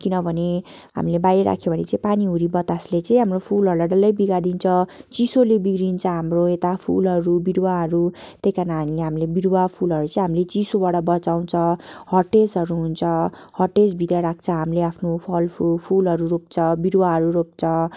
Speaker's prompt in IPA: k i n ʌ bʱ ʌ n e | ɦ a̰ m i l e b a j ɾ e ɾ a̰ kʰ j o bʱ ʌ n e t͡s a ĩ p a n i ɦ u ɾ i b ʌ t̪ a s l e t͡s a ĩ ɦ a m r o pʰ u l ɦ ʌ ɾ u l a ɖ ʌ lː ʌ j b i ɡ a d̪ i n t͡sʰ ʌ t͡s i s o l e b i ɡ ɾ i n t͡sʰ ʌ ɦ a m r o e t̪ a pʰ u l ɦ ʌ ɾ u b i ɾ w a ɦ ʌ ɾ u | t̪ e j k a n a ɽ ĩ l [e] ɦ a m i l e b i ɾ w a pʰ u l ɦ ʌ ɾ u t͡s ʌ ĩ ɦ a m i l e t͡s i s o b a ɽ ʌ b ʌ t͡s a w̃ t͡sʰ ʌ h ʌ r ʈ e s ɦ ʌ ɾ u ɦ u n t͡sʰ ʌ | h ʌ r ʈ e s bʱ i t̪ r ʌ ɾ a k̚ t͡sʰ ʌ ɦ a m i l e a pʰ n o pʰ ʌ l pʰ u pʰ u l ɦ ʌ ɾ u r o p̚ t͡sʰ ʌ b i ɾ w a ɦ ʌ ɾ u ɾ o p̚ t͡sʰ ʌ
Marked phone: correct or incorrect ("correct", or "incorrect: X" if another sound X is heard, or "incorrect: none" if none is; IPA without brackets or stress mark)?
correct